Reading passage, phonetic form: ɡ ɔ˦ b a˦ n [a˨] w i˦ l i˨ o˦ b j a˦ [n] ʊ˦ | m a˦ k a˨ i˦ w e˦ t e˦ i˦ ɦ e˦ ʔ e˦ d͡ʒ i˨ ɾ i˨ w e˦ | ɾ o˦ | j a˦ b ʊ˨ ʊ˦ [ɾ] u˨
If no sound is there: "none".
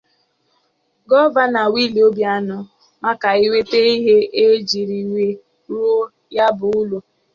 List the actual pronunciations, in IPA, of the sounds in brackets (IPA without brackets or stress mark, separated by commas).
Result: a˨, n, l